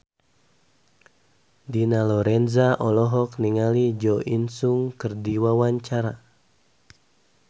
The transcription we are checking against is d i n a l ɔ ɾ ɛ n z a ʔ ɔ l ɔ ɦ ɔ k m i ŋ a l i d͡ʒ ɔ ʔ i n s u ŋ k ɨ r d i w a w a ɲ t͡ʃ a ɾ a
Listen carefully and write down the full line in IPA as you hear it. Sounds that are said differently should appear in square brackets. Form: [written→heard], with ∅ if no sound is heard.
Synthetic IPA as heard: d i n a l ɔ ɾ ɛ n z a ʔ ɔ l ɔ ɦ ɔ k [m→n] i ŋ a l i d͡ʒ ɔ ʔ i n s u ŋ k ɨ r d i w a w a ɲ t͡ʃ a ɾ a